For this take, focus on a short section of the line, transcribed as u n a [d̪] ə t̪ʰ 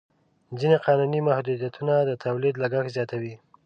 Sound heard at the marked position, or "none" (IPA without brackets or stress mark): d̪